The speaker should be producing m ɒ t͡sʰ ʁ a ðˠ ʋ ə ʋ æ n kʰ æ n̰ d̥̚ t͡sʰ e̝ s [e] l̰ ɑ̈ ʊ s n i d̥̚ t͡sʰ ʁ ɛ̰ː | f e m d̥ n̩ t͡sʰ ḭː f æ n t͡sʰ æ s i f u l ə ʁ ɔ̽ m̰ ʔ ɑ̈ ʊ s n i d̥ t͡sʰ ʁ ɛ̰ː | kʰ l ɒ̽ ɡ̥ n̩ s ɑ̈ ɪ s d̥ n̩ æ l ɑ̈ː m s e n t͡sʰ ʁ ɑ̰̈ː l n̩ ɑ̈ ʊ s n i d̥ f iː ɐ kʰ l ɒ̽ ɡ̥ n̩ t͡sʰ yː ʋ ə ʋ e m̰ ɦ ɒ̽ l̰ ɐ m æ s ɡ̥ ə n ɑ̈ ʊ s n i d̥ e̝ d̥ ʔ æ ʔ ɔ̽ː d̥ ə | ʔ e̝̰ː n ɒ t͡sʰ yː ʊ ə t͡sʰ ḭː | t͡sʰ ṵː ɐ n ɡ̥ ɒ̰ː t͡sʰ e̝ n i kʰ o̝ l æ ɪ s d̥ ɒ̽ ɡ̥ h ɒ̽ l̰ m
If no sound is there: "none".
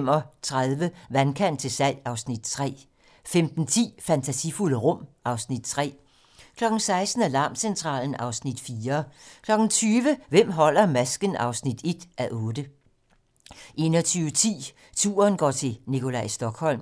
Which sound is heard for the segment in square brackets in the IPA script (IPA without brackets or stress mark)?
æ